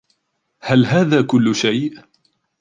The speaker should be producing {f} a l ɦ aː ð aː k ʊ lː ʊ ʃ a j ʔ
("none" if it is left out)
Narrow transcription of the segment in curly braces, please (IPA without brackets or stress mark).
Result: h